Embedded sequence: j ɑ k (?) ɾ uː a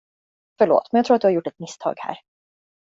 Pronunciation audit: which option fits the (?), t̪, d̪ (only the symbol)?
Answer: t̪